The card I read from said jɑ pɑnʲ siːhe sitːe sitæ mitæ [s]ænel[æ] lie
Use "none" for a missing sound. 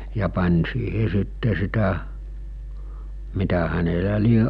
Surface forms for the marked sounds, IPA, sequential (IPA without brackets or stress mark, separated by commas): h, æ